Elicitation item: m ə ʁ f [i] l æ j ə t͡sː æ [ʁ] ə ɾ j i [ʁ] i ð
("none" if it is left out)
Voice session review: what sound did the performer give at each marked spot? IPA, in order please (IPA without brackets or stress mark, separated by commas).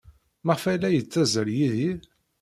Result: æ, z, ð